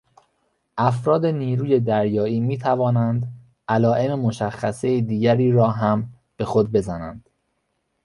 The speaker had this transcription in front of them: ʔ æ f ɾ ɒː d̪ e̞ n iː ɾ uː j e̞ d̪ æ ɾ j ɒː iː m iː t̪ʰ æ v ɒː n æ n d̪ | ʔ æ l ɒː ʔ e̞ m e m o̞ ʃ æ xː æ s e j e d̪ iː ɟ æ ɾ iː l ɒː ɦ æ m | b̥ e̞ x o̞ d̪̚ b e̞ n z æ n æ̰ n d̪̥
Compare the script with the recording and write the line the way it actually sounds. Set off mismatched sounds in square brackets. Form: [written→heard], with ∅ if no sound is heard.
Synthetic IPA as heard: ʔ æ f ɾ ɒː d̪ e̞ n iː ɾ uː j e̞ d̪ æ ɾ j ɒː iː m iː t̪ʰ æ v ɒː n æ n d̪ | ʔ æ l ɒː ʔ e̞ m e m o̞ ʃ æ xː æ s e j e d̪ iː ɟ æ ɾ iː [l→ɾ] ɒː ɦ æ m | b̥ e̞ x o̞ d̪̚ b e̞ [n→∅] z æ n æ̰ n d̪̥